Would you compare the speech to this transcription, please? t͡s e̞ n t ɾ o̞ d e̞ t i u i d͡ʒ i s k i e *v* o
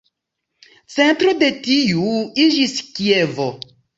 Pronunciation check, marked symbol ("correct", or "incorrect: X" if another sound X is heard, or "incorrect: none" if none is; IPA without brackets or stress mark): correct